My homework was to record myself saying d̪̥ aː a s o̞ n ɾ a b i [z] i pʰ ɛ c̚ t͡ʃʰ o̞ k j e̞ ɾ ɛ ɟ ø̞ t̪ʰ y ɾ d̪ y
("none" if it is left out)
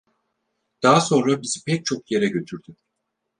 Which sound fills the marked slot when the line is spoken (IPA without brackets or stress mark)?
z